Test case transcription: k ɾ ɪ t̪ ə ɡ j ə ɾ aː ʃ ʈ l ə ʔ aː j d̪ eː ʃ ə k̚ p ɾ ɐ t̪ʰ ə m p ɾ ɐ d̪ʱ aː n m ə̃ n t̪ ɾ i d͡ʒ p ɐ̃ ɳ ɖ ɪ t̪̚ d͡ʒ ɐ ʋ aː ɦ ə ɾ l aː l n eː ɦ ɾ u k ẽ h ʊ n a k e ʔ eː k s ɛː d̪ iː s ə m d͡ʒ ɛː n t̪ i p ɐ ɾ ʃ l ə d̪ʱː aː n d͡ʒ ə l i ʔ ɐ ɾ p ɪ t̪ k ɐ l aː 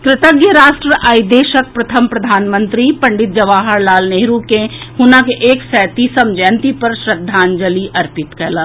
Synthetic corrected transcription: k ɾ ɪ t̪ ə ɡ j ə ɾ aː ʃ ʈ ɾ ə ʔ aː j d̪ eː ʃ ə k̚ p ɾ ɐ t̪ʰ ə m p ɾ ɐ d̪ʱ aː n m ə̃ n t̪ ɾ i p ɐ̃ ɳ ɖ ɪ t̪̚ d͡ʒ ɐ ʋ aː ɦ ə ɾ l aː l n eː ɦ ɾ u k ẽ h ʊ n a k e ʔ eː k s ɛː t̪ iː s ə m d͡ʒ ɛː n t̪ i p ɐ ɾ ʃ ɾ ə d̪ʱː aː n d͡ʒ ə l i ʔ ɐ ɾ p ɪ t̪ k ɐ l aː